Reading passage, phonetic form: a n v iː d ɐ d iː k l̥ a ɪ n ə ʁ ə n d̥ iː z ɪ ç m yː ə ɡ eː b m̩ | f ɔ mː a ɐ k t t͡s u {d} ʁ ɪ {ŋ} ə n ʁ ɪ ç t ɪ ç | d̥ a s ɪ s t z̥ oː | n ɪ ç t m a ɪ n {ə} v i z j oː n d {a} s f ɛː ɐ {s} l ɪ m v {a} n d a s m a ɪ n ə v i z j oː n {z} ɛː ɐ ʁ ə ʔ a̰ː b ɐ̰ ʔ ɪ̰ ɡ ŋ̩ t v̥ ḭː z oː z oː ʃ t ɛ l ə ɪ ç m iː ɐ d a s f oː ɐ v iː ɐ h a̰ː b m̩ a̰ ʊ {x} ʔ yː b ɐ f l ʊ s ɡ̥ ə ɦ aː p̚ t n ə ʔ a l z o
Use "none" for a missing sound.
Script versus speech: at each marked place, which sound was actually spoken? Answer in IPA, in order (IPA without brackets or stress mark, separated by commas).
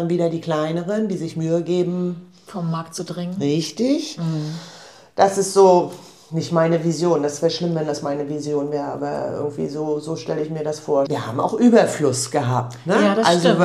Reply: d, ŋ, ə, a, ʃ, ɛ, v, x